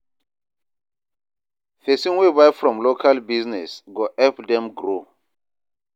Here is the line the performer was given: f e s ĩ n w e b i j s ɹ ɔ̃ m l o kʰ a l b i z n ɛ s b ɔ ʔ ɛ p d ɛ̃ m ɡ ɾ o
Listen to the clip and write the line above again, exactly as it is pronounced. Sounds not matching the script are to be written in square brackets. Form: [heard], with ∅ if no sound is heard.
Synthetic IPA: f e s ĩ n w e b [a] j [f] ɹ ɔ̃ m l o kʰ a l b i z n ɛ s [ɡ] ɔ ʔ ɛ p d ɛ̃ m ɡ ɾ o